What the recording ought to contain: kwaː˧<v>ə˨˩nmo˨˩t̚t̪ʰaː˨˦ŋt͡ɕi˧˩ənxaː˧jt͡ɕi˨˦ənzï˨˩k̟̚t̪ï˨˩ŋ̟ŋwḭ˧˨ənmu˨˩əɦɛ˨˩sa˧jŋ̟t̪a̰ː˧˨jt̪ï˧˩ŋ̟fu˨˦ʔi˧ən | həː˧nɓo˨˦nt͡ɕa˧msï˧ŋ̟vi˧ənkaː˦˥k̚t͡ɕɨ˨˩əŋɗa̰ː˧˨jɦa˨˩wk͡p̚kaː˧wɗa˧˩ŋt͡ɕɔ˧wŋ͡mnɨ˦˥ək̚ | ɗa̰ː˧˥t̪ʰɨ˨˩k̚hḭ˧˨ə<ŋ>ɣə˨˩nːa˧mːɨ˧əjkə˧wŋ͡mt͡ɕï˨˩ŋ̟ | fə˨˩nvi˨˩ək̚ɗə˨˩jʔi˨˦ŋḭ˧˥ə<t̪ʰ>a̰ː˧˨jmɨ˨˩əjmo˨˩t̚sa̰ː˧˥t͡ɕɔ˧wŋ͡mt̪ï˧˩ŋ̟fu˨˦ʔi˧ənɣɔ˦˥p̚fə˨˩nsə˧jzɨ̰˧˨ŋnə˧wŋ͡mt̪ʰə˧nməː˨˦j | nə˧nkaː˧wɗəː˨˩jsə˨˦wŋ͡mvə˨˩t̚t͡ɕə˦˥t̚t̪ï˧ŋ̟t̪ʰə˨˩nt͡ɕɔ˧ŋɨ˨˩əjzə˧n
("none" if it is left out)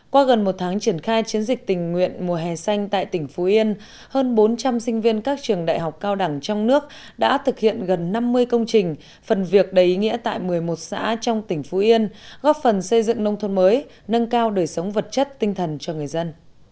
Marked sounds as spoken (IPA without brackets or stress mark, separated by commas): ɣ, n, t̪